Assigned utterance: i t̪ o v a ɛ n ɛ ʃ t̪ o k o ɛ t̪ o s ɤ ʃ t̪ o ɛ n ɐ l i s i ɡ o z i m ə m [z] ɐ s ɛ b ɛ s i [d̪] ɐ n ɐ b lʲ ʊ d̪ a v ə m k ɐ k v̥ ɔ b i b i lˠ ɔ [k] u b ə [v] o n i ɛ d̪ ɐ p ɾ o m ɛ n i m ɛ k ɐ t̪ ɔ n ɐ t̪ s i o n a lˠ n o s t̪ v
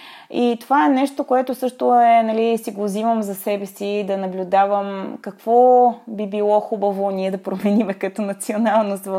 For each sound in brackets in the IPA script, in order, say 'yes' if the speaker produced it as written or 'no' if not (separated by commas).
yes, yes, no, yes